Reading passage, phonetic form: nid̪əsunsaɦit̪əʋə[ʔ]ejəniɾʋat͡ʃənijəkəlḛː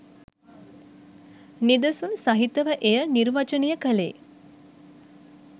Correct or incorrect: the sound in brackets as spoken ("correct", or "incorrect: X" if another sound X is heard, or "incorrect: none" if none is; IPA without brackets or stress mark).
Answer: correct